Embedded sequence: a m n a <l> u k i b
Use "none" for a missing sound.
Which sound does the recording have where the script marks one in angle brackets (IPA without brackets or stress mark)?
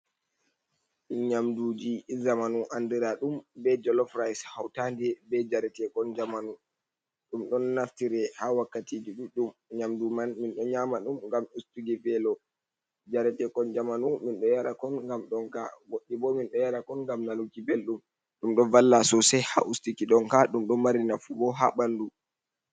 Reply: l